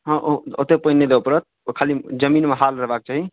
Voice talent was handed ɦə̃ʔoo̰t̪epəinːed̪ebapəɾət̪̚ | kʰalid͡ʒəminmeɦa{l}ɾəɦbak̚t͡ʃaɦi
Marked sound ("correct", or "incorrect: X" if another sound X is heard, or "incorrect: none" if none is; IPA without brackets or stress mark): correct